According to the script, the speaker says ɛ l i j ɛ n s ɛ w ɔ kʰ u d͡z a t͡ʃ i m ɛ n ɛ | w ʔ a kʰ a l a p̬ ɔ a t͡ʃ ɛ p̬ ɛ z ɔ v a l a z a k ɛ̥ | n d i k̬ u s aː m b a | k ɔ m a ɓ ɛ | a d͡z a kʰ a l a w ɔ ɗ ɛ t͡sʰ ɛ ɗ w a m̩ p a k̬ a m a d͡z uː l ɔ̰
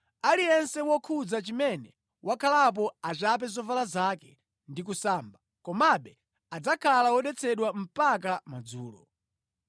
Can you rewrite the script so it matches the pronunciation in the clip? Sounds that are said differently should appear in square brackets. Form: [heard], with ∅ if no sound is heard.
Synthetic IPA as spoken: [a] l i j ɛ n s ɛ w ɔ kʰ u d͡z a t͡ʃ i m ɛ n ɛ | w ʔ a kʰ a l a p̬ ɔ a t͡ʃ [a] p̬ ɛ z ɔ v a l a z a k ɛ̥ | n d i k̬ u s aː m b a | k ɔ m a ɓ ɛ | a d͡z a kʰ a l a w ɔ ɗ ɛ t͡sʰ ɛ ɗ w a m̩ p a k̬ a m a d͡z uː l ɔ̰